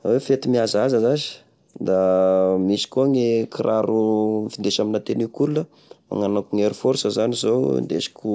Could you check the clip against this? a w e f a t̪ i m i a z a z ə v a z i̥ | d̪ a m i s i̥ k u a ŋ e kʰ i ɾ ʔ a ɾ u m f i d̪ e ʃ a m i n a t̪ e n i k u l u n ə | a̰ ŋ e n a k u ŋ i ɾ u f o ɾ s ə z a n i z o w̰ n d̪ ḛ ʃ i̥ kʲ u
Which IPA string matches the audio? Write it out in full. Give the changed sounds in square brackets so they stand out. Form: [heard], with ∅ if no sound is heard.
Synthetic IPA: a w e f [e] t̪ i m i a z a z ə [z] a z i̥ | d̪ a m i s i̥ k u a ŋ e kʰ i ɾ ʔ a ɾ u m f i d̪ e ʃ a m i n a t̪ e n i k u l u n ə | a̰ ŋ [a] n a k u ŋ [e] ɾ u f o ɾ s ə z a n i z o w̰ n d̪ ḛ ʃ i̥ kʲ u